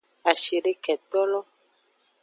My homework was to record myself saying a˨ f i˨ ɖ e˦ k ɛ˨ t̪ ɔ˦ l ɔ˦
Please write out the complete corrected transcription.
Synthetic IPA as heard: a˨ ʃ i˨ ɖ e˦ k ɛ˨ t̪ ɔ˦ l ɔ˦